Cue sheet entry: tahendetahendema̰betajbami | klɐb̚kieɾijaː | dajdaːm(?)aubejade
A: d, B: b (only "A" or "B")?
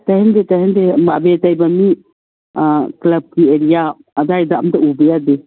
A